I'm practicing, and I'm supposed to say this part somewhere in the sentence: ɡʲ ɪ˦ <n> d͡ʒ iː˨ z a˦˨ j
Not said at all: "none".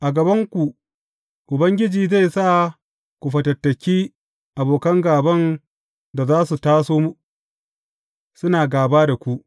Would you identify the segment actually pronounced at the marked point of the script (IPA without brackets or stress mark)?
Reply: none